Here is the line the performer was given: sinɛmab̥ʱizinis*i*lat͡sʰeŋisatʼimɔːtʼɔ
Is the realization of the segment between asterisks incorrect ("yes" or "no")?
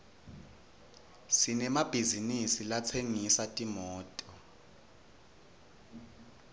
no